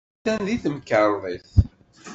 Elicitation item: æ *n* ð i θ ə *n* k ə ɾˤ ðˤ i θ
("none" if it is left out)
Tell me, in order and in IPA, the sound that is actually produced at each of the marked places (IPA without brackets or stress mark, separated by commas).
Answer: n, m